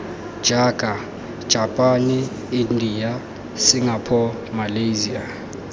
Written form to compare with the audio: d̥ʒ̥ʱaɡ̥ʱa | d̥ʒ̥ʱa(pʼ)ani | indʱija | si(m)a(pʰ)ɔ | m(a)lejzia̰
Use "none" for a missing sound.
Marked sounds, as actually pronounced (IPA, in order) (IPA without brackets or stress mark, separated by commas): pʼ, ŋ, pʰ, a